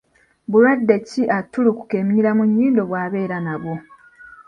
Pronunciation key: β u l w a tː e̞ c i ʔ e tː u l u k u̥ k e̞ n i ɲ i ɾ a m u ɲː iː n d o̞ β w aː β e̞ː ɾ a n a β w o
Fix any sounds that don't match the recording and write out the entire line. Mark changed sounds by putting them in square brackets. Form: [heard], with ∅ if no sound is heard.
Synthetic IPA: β u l w a [dː] e̞ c i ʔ [a] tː u l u k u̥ k e̞ [m] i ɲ i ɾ a m u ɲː iː n d o̞ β w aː β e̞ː ɾ a n a β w o